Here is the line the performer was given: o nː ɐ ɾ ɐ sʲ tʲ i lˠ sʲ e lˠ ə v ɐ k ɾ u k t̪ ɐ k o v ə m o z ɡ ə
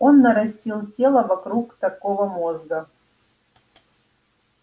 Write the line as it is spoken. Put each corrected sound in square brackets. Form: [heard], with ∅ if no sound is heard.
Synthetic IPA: o nː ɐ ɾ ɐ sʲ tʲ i lˠ [tʲ] e lˠ ə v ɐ k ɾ u k t̪ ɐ k o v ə m o z ɡ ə